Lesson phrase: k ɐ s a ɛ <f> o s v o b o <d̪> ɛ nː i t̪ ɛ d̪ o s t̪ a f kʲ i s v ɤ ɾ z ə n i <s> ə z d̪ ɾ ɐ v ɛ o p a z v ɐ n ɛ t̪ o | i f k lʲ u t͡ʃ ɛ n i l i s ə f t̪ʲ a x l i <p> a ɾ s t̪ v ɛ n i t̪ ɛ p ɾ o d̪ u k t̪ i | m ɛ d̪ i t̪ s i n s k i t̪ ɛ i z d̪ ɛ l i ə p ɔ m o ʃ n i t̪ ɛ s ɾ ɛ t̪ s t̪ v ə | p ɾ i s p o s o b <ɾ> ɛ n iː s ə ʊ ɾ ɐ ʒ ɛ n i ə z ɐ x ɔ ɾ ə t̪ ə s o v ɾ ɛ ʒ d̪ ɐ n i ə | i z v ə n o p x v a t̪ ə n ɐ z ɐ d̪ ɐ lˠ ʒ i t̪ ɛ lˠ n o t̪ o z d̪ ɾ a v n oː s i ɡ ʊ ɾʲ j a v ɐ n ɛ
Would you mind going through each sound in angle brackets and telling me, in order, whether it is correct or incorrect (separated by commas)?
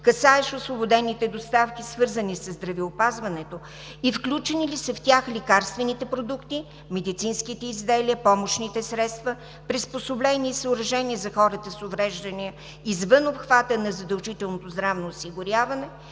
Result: incorrect, correct, correct, incorrect, incorrect